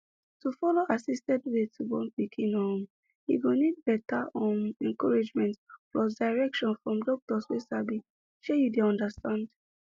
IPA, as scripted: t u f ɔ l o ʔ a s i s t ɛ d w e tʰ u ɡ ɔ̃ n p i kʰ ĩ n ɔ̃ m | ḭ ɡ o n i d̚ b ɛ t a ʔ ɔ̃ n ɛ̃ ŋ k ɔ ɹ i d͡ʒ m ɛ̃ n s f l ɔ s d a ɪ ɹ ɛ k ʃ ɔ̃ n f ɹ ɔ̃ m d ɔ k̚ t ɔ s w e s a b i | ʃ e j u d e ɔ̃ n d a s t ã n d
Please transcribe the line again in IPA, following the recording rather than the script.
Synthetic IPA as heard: t u f ɔ l o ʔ a s i s t ɛ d w e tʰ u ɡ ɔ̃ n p i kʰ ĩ n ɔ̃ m | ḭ ɡ o n i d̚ b ɛ t a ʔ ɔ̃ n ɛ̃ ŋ k ɔ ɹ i d͡ʒ m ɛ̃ n t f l ɔ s d a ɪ ɹ ɛ k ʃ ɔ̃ n f ɹ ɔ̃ m d ɔ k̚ t ɔ s w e s a b i | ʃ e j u d e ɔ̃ n d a s t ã n d